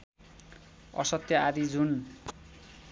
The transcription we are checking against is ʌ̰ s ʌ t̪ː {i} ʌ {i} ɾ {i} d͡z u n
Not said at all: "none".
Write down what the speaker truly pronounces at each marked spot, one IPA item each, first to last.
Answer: j, a, i

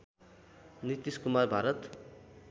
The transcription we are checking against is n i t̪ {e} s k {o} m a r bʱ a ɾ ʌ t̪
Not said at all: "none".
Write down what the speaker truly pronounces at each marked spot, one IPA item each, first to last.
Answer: i, u

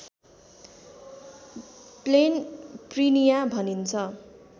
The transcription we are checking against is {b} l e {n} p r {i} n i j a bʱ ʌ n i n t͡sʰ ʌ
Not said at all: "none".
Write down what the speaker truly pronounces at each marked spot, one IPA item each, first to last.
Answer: p, n, i

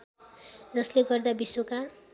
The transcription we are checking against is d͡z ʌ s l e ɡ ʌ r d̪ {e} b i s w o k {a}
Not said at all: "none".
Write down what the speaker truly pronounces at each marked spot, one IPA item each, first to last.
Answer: a, a

